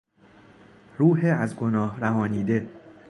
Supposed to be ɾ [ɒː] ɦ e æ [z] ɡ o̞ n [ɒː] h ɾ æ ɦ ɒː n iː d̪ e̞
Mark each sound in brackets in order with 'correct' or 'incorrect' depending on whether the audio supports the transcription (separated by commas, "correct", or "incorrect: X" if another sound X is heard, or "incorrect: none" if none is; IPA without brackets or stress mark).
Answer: incorrect: uː, correct, correct